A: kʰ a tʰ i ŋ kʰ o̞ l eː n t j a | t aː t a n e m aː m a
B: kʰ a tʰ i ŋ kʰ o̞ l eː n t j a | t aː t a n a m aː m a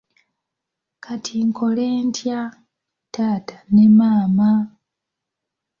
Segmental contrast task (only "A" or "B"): A